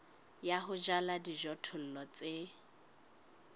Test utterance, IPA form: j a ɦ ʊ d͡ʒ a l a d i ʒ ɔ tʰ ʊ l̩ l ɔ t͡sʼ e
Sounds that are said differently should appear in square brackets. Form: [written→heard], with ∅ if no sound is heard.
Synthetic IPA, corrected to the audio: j a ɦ ʊ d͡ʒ a l a d i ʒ ɔ tʰ ʊ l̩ l ɔ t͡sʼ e

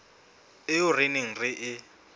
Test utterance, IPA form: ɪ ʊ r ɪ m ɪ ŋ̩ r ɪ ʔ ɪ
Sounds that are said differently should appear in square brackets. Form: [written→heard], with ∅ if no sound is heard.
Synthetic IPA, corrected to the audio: ɪ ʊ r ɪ [m→n] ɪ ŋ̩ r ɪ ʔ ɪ

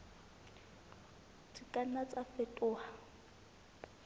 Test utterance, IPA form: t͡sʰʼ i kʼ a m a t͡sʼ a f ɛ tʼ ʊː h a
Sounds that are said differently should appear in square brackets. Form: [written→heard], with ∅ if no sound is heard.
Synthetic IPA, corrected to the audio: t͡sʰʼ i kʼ a [m→n] a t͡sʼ a f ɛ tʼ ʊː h a

